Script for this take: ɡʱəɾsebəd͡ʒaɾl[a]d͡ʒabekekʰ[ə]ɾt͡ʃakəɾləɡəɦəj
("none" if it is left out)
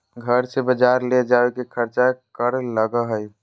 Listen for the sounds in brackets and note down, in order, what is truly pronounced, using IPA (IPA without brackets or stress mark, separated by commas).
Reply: e, ə